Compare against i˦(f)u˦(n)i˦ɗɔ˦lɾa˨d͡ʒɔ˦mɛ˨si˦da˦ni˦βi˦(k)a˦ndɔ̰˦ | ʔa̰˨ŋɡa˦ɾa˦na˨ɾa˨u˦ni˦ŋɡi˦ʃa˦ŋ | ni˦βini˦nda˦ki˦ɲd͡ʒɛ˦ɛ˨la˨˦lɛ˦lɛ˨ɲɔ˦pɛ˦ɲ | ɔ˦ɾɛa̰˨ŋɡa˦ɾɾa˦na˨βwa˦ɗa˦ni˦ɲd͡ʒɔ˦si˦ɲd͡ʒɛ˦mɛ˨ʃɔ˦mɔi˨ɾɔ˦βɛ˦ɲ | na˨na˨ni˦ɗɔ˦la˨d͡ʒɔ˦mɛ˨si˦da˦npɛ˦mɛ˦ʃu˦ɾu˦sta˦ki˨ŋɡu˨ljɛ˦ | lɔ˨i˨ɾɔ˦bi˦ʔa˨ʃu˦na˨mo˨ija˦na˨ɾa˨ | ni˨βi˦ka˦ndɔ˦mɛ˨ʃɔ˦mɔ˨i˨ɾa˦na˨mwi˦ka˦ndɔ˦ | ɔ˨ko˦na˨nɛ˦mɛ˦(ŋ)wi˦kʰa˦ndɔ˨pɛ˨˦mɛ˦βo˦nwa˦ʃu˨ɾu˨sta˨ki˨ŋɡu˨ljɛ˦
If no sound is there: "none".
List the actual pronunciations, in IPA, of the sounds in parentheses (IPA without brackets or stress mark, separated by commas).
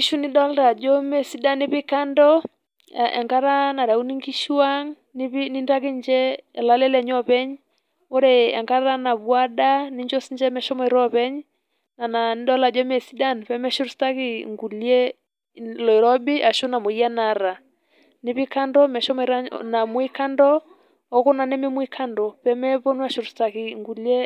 ʃ, n, k, m